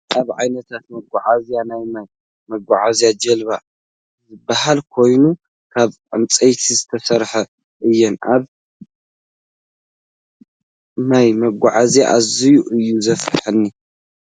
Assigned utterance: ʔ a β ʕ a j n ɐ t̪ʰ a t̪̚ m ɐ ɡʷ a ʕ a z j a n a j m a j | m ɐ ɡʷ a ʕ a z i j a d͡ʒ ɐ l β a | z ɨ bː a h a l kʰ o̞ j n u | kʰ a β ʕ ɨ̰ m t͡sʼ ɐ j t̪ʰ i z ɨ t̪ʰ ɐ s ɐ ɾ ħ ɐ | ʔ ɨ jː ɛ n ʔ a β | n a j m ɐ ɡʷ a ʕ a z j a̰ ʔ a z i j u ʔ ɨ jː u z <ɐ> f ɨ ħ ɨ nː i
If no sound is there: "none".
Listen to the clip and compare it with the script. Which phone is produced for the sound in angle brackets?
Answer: ɐ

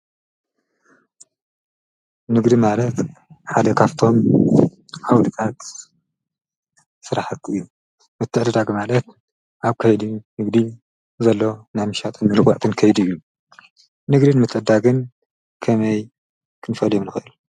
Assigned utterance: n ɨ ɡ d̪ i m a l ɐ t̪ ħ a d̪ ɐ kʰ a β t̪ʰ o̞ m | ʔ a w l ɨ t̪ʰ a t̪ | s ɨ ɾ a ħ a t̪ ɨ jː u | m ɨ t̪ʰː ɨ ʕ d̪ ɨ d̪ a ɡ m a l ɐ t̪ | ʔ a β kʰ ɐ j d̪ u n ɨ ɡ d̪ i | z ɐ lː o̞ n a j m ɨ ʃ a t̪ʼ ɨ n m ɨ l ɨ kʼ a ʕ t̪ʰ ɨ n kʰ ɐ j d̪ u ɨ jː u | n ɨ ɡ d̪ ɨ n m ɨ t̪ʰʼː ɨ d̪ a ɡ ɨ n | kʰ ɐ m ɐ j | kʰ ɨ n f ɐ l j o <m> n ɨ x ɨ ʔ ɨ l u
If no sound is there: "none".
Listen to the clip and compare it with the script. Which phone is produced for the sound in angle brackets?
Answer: m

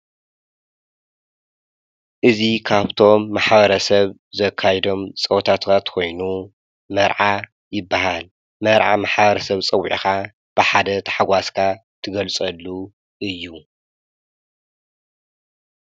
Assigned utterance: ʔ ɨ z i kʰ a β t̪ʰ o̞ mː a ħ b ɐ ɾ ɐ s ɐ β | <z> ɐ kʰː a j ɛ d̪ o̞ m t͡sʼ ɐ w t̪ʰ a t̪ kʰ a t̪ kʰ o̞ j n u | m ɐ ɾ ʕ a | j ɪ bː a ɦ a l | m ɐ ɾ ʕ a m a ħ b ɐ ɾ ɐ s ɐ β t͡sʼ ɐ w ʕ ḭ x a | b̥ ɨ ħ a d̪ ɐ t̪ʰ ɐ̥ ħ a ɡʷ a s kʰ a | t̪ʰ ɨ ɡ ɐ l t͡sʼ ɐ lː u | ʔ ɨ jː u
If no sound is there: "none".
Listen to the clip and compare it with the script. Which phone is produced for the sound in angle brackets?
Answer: z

